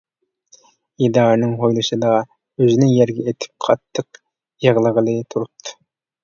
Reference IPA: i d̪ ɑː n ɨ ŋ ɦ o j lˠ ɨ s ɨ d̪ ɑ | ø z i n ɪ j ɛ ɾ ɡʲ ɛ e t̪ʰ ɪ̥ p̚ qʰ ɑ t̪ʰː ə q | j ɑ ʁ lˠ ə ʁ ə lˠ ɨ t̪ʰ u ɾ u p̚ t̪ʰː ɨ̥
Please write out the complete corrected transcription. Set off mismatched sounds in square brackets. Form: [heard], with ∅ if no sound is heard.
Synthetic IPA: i d̪ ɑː n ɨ ŋ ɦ o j lˠ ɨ [ʃ] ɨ d̪ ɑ | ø z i n ɪ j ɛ ɾ ɡʲ ɛ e t̪ʰ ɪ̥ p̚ qʰ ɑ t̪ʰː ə q | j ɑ ʁ lˠ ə ʁ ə lˠ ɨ t̪ʰ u ɾ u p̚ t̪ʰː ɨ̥